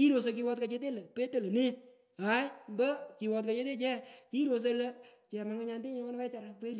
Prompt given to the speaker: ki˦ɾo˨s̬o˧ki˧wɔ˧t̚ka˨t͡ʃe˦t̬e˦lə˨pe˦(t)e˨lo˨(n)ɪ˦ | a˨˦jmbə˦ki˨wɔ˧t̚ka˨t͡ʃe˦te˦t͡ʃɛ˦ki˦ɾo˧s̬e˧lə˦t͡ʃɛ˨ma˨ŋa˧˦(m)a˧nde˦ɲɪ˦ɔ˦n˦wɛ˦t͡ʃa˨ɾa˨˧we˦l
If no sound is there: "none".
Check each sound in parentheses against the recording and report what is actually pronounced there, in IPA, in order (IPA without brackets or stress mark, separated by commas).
t, n, ɲ